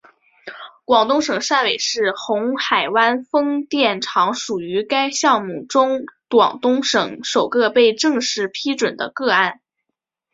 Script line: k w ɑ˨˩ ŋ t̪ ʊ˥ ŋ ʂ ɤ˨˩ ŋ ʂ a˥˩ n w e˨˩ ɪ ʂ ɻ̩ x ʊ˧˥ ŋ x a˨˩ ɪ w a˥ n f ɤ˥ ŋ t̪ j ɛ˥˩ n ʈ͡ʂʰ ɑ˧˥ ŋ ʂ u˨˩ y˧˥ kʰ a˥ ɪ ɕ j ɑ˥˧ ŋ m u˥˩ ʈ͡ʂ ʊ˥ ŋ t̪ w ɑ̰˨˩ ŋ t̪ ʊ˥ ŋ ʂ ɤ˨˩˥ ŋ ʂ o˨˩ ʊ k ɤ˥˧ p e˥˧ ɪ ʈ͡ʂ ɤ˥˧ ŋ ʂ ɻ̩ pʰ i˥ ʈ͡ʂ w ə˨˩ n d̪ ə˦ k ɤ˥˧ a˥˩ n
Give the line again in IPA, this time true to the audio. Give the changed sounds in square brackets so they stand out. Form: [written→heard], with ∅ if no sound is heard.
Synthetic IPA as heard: k w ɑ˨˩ ŋ t̪ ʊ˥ ŋ ʂ ɤ˨˩ ŋ ʂ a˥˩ n w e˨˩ ɪ ʂ ɻ̩ x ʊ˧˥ ŋ x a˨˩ ɪ w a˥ n f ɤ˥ ŋ t̪ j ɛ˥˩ n ʈ͡ʂʰ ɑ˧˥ ŋ ʂ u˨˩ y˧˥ [kʰ→k] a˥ ɪ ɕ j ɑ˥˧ ŋ m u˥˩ ʈ͡ʂ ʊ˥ ŋ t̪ w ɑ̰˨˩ ŋ t̪ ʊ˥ ŋ ʂ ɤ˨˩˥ ŋ ʂ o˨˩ ʊ k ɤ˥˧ p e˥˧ ɪ ʈ͡ʂ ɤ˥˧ ŋ ʂ ɻ̩ pʰ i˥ ʈ͡ʂ w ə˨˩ n d̪ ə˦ k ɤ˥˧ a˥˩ n